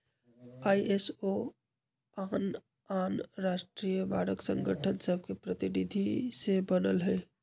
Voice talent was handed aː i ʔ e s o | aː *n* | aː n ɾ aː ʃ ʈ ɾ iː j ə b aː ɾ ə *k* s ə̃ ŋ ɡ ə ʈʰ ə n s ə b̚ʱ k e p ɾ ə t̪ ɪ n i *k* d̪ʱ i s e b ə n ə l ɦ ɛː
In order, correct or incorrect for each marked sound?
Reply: correct, correct, incorrect

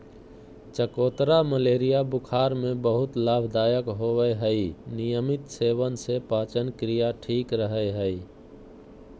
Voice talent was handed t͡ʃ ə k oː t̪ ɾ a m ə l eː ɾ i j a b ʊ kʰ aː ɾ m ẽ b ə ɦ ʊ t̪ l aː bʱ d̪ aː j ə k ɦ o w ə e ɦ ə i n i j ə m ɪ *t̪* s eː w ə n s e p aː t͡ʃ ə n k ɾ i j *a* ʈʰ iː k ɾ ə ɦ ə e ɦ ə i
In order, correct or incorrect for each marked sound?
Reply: correct, correct

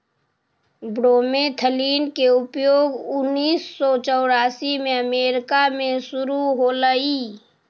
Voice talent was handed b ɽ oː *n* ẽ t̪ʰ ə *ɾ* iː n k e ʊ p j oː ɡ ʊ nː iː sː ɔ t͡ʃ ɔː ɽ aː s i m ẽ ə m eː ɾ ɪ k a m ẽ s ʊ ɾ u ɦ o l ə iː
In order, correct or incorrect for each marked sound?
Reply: incorrect, incorrect

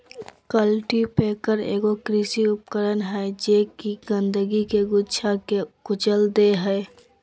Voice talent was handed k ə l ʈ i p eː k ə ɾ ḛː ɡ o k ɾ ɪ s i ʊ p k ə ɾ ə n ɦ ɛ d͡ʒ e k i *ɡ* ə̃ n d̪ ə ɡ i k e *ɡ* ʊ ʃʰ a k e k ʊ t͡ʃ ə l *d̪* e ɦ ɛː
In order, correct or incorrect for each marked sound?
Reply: correct, correct, correct

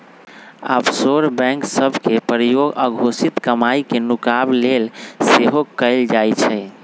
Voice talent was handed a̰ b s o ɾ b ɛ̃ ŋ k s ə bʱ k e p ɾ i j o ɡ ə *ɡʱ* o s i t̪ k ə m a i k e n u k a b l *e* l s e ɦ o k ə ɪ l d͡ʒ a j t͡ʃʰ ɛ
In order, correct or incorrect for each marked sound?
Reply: correct, correct

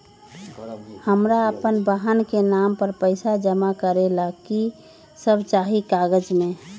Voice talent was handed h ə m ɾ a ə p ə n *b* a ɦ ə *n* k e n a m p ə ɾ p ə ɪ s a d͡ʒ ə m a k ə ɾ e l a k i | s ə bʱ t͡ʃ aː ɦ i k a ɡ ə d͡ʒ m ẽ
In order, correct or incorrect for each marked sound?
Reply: correct, correct

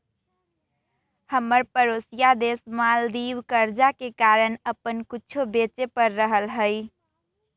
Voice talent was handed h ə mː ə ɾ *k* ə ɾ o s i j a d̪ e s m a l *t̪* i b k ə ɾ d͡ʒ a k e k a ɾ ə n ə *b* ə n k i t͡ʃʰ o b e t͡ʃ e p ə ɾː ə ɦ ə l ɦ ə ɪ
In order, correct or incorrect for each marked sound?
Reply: incorrect, incorrect, incorrect

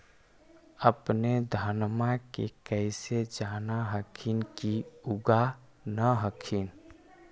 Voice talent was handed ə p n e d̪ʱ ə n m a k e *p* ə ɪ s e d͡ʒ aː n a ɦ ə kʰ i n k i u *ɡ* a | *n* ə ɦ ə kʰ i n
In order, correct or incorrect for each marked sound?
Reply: incorrect, correct, correct

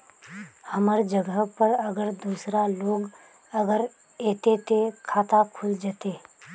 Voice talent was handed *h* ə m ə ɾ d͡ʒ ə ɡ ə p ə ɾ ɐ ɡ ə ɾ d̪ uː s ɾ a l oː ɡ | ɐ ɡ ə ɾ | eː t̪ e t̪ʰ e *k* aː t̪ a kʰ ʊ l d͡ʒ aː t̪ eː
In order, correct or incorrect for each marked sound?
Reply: correct, incorrect

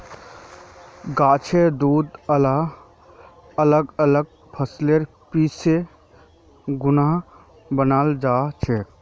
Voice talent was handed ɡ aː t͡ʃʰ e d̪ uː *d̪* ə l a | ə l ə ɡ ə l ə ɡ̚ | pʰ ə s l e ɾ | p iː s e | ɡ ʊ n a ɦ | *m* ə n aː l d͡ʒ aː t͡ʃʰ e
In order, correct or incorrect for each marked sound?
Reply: correct, incorrect

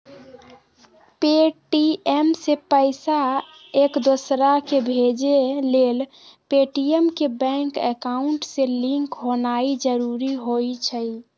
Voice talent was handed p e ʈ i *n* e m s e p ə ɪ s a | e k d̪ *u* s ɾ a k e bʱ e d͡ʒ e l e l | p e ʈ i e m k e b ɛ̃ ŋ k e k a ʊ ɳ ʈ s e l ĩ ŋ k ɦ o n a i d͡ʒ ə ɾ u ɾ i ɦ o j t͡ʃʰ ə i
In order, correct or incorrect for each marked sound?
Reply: incorrect, incorrect

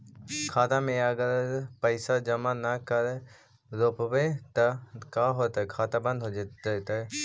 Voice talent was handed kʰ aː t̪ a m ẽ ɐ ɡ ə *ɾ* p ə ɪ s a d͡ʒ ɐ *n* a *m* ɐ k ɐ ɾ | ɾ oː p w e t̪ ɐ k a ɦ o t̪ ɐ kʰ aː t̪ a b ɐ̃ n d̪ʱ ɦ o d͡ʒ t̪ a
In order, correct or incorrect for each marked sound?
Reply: correct, incorrect, incorrect

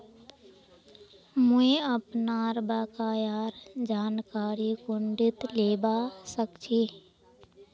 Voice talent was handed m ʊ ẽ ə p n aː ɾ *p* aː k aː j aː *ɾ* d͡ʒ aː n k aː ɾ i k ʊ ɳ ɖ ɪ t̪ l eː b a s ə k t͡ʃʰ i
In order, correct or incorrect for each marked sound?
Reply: incorrect, correct

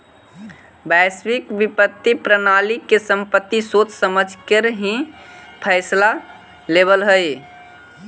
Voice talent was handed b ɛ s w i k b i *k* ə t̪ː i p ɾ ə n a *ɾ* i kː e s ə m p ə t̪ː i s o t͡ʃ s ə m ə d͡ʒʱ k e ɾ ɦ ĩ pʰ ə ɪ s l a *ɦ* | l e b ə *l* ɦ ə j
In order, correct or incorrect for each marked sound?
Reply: incorrect, incorrect, incorrect, correct

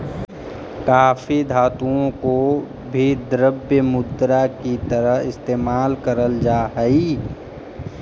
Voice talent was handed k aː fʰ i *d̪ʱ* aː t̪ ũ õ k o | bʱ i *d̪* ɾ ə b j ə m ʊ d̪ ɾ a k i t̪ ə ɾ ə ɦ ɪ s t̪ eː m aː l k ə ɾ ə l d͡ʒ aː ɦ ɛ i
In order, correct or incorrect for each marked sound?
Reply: correct, correct

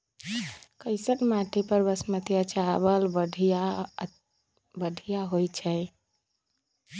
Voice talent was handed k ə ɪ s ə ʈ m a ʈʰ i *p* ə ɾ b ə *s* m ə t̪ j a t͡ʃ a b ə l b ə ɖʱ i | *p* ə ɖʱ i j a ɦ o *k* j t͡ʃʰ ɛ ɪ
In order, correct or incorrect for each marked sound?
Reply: correct, correct, incorrect, incorrect

